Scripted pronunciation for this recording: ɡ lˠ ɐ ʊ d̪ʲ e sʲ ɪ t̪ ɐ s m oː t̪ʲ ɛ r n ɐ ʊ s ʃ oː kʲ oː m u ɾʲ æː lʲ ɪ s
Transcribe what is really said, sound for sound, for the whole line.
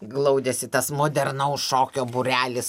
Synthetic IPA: ɡ lˠ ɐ ʊ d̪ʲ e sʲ ɪ t̪ ɐ s m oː d̪ʲ ɛ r n ɐ ʊ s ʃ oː kʲ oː b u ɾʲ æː lʲ ɪ s